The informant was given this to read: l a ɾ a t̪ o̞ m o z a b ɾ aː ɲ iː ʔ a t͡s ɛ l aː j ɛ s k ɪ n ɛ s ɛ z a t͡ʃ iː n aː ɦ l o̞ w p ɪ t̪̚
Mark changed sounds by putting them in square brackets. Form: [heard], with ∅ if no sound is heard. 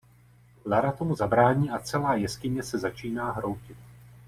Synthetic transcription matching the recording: l a ɾ a t̪ o̞ m [u] z a b ɾ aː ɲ iː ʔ a t͡s ɛ l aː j ɛ s k ɪ [ɲ] ɛ s ɛ z a t͡ʃ iː n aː ɦ [ɾ] o̞ w [c] ɪ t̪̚

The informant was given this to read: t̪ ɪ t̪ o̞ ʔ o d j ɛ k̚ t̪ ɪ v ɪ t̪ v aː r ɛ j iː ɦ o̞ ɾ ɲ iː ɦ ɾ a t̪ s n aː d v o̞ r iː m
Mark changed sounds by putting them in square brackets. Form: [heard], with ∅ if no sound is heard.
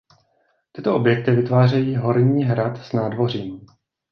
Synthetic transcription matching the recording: t̪ ɪ t̪ o̞ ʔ o [b] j ɛ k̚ t̪ ɪ v ɪ t̪ v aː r ɛ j iː ɦ o̞ ɾ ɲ iː ɦ ɾ a t̪ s n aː d v o̞ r iː m

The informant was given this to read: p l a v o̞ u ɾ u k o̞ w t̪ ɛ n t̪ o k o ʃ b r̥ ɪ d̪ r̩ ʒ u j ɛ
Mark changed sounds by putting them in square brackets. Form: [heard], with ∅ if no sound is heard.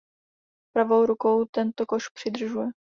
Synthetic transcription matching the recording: p [ɾ] a v o̞ [w] ɾ u k o̞ w t̪ ɛ n t̪ o k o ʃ [p] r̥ ɪ d̪ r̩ ʒ u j ɛ

